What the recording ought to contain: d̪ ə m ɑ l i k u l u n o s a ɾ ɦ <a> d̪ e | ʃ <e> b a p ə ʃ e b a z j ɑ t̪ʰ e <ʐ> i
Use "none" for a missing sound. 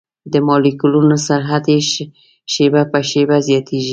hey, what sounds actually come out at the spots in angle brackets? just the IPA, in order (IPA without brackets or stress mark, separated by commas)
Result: a, e, ʒ